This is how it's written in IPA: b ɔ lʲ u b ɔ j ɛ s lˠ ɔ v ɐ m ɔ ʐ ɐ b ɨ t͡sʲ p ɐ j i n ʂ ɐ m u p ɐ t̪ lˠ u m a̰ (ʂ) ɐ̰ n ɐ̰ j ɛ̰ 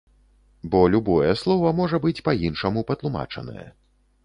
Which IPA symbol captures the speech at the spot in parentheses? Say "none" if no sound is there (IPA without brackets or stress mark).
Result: t͡ʂ